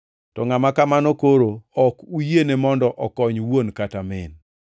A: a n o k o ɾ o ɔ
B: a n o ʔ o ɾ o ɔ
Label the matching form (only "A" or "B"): A